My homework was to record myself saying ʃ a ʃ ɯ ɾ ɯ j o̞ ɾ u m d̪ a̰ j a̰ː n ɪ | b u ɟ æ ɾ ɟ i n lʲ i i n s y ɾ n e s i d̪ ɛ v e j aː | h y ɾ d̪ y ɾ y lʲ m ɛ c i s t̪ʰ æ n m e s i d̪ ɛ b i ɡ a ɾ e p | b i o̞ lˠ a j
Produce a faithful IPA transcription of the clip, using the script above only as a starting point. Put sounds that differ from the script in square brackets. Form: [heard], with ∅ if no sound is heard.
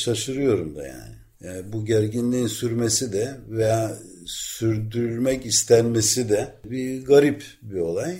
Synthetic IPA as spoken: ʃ a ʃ ɯ ɾ ɯ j o̞ ɾ u m d̪ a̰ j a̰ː n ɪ | b u ɟ æ ɾ ɟ i n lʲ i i n s y ɾ [m] e s i d̪ ɛ v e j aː | [s] y ɾ d̪ y ɾ y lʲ m ɛ c i s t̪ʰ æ n m e s i d̪ ɛ b i ɡ a ɾ [i] p | b i o̞ lˠ a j